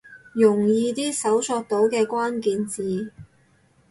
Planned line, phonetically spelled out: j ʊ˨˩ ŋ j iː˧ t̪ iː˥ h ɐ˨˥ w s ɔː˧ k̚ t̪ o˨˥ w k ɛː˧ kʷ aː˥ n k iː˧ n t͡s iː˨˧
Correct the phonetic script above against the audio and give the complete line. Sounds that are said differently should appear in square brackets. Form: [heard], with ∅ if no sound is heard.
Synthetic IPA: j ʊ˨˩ ŋ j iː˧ t̪ iː˥ [s] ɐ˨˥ w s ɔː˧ k̚ t̪ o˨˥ w k ɛː˧ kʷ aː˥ n k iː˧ n t͡s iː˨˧